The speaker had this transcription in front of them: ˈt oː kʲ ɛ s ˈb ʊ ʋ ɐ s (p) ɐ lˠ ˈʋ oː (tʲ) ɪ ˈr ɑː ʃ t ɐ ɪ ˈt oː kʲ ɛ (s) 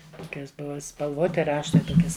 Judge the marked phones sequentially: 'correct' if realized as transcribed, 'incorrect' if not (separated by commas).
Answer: correct, correct, correct